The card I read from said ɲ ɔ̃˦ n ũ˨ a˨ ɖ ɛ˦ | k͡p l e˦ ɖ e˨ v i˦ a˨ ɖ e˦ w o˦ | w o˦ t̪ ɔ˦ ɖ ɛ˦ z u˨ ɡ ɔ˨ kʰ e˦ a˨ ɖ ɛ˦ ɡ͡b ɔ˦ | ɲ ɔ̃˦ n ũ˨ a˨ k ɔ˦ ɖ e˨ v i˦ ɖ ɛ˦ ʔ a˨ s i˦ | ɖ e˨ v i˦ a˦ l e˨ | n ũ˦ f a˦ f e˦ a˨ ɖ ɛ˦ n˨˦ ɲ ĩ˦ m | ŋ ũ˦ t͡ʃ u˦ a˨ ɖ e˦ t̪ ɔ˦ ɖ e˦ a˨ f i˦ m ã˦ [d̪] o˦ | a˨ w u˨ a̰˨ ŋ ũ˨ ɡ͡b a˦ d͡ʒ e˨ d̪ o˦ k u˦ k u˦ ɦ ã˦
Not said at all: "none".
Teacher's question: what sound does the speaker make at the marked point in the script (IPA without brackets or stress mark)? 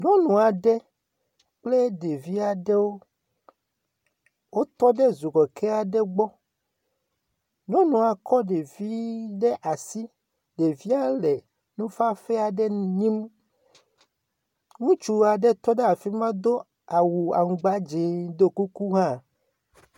d̪